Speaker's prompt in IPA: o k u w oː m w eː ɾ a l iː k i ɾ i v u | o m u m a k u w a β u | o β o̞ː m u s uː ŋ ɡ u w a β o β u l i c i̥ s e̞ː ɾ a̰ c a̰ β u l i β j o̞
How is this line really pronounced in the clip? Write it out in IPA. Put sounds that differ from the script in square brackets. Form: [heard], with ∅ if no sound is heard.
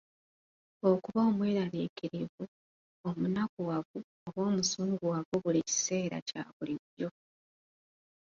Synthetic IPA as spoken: o k u [β] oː m w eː ɾ a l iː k i ɾ i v u | o m u [n] a k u w a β u | o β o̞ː m u s uː ŋ ɡ u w a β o β u l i c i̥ s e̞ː ɾ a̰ c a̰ β u l i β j o̞